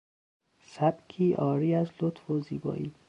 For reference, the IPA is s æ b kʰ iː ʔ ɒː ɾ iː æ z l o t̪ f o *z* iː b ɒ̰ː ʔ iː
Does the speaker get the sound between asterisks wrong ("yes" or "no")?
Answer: no